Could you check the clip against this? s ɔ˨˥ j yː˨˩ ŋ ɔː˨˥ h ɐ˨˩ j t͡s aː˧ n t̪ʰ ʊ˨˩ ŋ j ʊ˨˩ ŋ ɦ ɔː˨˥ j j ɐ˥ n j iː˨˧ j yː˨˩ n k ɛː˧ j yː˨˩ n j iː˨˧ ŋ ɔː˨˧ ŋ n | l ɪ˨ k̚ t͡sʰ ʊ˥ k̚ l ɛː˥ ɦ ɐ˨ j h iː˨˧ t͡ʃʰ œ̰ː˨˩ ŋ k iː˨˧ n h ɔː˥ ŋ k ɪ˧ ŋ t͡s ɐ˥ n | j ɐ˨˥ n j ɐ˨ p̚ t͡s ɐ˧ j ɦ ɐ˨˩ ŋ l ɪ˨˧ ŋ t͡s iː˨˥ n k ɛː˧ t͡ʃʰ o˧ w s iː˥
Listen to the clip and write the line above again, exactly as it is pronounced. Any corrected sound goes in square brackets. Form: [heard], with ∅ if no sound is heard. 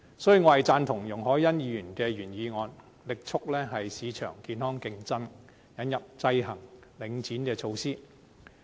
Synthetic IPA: s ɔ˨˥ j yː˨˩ ŋ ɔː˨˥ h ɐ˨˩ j t͡s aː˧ n t̪ʰ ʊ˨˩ ŋ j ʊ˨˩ ŋ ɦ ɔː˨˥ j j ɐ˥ n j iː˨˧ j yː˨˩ n k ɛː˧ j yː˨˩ n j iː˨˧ ŋ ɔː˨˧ [∅] n | l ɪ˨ k̚ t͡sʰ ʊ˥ k̚ l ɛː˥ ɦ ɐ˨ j [s] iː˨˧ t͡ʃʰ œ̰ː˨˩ ŋ k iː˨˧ n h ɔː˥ ŋ k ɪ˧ ŋ t͡s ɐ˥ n | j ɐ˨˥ n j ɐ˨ p̚ t͡s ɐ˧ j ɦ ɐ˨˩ ŋ l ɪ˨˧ ŋ t͡s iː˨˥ n k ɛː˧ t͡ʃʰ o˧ w s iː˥